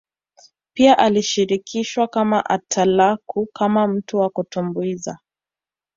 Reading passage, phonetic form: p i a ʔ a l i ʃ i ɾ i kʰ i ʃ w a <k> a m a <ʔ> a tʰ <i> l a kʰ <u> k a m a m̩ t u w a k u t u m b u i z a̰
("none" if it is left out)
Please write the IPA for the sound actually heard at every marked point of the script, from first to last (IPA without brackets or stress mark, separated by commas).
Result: k, ʔ, a, u